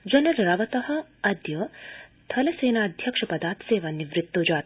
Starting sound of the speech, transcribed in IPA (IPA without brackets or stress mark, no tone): d͡ʒ